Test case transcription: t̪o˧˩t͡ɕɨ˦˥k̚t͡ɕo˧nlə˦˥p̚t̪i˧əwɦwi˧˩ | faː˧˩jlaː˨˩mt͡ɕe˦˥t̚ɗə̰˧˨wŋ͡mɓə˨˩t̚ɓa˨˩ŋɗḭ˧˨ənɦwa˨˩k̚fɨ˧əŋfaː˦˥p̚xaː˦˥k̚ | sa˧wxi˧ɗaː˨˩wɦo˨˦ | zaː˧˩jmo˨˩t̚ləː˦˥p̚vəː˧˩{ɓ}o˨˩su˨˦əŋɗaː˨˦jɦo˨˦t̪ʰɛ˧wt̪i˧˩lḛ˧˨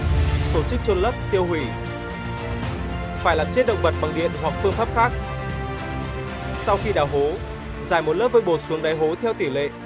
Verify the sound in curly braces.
correct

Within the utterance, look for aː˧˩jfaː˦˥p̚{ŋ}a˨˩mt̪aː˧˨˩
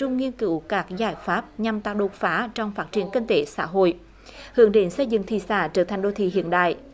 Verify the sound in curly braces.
incorrect: ɲ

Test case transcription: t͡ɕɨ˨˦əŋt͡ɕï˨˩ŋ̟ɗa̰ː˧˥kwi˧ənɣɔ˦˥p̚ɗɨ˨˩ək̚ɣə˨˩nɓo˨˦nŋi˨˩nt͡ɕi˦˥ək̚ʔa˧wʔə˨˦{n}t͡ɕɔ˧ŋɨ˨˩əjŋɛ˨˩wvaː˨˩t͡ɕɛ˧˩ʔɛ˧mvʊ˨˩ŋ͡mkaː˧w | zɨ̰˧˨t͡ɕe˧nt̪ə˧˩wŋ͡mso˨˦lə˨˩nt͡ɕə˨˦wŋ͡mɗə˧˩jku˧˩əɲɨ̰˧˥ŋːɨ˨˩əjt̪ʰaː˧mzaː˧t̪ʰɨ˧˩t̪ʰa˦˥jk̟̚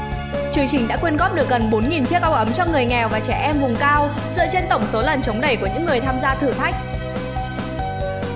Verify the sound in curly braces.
incorrect: m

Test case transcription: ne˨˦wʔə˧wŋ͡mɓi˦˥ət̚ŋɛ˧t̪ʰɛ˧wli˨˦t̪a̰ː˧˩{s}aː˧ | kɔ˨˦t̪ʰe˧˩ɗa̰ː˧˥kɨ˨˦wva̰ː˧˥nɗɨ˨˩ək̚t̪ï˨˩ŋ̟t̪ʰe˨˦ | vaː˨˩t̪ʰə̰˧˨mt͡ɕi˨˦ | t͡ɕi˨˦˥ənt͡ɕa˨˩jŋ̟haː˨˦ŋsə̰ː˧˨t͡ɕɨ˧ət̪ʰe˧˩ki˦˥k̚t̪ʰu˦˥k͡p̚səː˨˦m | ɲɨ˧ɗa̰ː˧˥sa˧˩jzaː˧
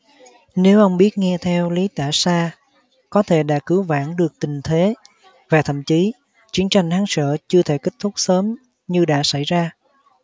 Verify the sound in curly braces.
correct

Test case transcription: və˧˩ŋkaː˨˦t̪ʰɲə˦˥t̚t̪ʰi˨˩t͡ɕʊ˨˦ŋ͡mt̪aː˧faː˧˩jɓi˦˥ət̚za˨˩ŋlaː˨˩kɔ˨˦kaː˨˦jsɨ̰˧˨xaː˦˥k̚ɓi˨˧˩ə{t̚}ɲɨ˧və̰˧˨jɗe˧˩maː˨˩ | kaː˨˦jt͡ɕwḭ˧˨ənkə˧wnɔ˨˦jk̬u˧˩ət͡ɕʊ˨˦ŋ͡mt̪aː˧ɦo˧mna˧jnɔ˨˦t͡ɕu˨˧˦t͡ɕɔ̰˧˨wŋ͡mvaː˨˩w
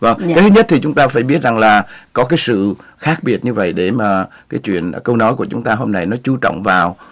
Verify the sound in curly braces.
correct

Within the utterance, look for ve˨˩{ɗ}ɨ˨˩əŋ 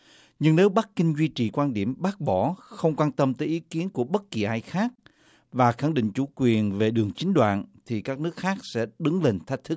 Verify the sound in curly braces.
correct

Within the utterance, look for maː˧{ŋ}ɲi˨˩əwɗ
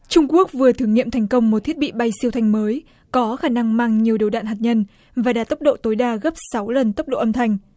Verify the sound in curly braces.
correct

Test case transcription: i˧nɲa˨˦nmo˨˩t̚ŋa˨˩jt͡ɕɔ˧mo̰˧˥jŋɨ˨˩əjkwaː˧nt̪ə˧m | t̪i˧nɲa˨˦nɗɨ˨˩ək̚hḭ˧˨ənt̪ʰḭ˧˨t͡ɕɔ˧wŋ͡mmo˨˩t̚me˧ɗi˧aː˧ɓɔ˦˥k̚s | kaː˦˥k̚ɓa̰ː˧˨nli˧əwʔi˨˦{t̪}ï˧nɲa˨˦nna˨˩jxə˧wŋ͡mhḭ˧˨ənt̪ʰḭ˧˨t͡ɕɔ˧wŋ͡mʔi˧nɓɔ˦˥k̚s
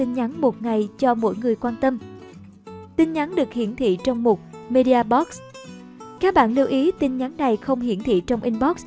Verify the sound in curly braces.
correct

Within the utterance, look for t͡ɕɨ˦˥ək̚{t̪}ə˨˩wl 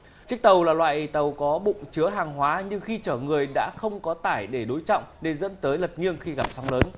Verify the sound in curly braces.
correct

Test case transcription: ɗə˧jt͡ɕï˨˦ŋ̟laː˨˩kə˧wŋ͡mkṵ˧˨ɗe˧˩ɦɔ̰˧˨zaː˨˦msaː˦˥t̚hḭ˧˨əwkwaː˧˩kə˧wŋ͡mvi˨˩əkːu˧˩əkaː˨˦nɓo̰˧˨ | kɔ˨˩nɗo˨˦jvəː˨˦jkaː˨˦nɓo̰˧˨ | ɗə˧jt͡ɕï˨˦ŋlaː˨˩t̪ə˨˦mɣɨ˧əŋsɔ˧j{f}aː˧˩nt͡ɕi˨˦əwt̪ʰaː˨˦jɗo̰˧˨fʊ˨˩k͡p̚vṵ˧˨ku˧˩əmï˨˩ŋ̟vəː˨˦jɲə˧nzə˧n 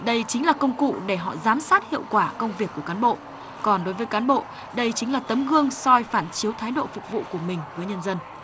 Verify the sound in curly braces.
correct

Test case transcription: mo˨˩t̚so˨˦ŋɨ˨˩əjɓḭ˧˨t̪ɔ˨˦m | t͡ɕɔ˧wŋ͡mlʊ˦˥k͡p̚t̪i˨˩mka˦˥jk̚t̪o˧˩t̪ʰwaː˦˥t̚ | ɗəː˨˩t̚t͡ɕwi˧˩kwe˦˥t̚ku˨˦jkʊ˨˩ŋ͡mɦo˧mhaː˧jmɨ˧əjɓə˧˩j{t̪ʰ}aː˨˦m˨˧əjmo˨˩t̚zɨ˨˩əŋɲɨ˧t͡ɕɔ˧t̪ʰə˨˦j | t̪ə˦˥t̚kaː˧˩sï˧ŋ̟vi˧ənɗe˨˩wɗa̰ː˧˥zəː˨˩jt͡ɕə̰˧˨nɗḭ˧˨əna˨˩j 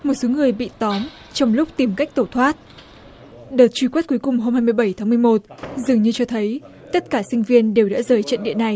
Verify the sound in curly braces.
correct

